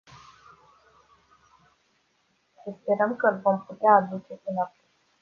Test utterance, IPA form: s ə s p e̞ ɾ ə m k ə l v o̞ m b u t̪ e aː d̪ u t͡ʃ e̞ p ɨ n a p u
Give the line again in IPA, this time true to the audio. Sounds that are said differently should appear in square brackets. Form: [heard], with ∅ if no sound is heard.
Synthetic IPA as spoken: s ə s p e̞ ɾ ə m k ə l v o̞ m [p] u t̪ e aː d̪ u t͡ʃ e̞ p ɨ n a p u